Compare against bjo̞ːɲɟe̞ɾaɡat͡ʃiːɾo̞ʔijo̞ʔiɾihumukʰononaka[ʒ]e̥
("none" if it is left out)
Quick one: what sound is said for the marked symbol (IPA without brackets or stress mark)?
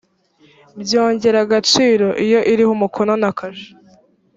ʒ